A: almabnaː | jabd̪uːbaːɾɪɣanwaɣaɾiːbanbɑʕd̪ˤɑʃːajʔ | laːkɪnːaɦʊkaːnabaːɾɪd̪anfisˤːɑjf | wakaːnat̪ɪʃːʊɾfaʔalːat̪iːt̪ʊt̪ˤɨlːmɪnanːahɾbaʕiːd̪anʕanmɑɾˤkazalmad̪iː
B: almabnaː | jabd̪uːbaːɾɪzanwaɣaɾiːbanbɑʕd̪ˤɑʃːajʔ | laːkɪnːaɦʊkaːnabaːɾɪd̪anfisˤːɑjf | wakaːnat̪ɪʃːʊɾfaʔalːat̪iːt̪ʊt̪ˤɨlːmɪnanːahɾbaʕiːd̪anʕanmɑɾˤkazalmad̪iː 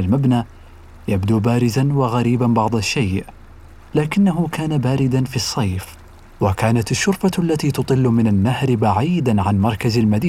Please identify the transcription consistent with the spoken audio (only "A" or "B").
B